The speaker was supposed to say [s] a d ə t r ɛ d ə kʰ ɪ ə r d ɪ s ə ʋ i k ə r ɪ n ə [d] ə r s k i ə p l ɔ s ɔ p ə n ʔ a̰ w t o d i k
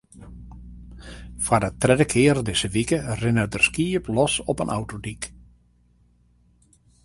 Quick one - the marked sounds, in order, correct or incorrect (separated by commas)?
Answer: incorrect, correct